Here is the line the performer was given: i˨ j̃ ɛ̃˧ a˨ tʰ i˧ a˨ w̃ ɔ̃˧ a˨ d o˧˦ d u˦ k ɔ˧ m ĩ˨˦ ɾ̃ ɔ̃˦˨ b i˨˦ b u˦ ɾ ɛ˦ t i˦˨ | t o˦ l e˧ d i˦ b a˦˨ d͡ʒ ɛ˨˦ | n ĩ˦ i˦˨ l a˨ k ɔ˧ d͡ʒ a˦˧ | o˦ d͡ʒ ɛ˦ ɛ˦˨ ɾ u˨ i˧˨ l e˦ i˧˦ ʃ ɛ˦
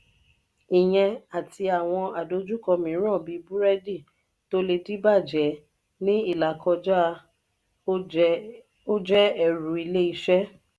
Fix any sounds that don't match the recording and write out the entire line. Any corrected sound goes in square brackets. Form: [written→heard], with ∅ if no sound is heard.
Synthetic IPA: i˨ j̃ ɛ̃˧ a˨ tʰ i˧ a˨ w̃ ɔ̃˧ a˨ d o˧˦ [d→d͡ʒ] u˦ k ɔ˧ m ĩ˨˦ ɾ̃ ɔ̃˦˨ b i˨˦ b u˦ ɾ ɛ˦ [t→d] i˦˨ | t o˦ l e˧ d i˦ b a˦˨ d͡ʒ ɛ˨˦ | n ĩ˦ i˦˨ l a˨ k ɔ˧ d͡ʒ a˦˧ | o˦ d͡ʒ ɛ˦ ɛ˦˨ ɾ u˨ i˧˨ l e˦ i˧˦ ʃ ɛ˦